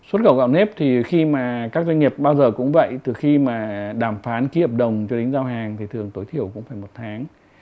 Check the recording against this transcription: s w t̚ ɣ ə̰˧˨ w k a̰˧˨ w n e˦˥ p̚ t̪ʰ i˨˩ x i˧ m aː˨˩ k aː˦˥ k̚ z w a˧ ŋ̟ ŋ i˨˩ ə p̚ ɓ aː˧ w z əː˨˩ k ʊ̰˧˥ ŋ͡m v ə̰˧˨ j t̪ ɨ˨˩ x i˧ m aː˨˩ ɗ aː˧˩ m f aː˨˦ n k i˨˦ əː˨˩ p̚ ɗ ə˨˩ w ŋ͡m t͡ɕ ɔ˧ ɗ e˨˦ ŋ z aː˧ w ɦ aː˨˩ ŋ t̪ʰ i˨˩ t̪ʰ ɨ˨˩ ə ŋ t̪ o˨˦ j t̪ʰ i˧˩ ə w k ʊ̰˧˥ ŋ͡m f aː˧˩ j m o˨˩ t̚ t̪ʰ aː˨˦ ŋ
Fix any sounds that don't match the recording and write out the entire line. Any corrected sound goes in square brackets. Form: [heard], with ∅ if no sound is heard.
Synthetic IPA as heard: s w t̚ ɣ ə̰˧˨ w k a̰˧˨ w n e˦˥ p̚ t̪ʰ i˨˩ x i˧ m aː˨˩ k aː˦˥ k̚ z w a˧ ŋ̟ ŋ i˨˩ ə p̚ ɓ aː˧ w z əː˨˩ k ʊ̰˧˥ ŋ͡m v ə̰˧˨ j t̪ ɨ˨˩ x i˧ m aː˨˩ ɗ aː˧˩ m f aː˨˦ n k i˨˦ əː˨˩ p̚ ɗ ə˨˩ w ŋ͡m t͡ɕ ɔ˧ ɗ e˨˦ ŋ z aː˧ w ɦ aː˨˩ ŋ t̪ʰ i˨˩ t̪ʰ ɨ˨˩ ə ŋ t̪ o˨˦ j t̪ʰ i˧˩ ə w k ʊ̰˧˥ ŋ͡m f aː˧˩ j m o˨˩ t̚ t̪ʰ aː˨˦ ŋ